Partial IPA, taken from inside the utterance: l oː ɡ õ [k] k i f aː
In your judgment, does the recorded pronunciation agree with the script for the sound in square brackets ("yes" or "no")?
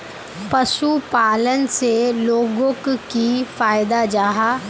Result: yes